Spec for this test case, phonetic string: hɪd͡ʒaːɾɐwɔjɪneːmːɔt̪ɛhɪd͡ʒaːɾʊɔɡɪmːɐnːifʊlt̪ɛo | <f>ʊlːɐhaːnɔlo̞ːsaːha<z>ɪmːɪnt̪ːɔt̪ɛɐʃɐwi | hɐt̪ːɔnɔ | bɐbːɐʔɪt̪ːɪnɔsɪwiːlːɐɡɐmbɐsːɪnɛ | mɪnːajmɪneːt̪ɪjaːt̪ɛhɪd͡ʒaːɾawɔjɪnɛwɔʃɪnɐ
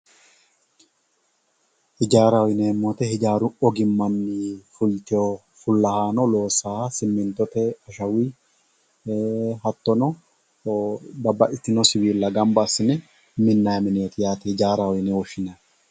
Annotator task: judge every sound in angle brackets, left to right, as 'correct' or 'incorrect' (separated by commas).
correct, incorrect